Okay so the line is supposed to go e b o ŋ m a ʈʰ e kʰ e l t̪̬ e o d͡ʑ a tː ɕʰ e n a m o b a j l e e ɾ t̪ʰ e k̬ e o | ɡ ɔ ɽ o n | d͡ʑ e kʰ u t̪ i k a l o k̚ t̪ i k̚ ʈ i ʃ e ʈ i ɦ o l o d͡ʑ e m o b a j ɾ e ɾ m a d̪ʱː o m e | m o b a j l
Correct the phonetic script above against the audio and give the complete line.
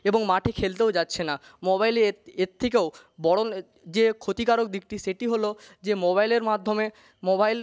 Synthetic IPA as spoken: e b o ŋ m a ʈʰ e kʰ e l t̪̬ e o d͡ʑ a tː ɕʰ e n a m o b a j l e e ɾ t̪ʰ e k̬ e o | b ɔ ɽ o n | d͡ʑ e kʰ o t̪ i k a ɾ o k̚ d̪ i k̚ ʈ i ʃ e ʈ i ɦ o l o d͡ʑ e m o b a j l e ɾ m a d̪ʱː o m e | m o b a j l